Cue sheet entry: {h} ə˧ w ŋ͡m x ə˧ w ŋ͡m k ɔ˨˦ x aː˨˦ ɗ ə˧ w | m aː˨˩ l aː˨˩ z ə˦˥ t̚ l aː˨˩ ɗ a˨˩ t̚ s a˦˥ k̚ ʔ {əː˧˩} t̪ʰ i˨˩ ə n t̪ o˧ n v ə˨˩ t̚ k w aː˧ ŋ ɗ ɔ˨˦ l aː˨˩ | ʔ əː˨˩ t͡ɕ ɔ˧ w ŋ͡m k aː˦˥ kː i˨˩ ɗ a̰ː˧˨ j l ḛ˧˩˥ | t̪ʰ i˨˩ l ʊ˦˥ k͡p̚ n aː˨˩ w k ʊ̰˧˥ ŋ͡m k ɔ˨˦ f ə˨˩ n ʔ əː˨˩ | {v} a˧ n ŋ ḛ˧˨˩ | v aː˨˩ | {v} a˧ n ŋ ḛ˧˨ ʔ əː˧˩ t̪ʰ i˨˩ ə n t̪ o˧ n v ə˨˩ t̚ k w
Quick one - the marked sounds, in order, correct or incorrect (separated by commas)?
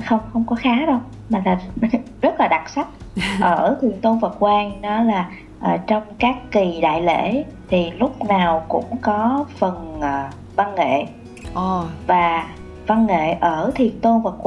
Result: incorrect, correct, correct, correct